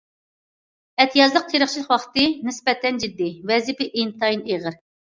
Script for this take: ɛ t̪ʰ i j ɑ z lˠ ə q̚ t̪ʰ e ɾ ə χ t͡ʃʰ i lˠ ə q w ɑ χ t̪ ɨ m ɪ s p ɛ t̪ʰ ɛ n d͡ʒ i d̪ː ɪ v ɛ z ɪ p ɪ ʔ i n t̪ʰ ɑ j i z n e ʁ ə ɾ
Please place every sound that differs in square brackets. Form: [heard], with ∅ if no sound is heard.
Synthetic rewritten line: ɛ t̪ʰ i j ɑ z lˠ ə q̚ t̪ʰ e ɾ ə χ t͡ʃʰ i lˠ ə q w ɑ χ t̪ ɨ [n] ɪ s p ɛ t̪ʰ ɛ n d͡ʒ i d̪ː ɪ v ɛ z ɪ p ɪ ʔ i n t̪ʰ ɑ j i [∅] n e ʁ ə ɾ